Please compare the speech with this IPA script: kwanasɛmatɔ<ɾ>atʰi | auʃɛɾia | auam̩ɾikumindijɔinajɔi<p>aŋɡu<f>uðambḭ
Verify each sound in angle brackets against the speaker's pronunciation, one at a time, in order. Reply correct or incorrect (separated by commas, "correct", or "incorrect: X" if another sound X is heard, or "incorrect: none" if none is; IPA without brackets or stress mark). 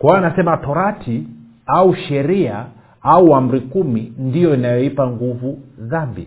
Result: correct, correct, incorrect: v